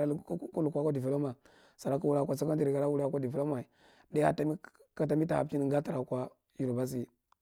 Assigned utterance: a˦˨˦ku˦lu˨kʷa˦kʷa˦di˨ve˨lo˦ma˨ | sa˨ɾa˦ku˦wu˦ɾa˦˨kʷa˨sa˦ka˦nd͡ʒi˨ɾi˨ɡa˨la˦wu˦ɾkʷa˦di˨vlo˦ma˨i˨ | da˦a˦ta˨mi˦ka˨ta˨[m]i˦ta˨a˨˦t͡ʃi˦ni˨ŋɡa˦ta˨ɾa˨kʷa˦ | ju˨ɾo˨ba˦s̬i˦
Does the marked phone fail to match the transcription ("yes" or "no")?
no